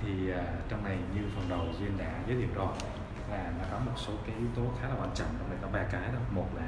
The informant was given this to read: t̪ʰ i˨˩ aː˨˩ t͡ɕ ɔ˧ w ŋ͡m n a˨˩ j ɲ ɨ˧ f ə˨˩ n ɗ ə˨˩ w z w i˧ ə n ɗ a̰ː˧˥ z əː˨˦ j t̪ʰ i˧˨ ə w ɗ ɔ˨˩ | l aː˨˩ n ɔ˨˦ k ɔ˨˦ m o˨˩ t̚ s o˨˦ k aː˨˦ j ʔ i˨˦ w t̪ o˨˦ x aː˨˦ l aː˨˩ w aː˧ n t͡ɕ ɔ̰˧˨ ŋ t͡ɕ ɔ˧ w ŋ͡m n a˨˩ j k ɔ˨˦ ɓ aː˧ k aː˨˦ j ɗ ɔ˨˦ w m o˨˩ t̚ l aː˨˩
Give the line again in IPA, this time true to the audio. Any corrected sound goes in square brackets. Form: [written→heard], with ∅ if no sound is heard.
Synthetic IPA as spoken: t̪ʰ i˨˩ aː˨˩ t͡ɕ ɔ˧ w ŋ͡m n a˨˩ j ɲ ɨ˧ f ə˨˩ n ɗ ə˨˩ w z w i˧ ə n ɗ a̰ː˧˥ z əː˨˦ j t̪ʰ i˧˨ ə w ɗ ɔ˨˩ | l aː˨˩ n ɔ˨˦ k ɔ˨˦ m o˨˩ t̚ s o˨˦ k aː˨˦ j ʔ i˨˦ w t̪ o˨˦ x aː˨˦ l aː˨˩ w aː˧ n t͡ɕ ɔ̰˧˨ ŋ t͡ɕ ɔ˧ w ŋ͡m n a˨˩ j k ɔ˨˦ ɓ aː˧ k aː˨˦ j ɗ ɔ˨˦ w m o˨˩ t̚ l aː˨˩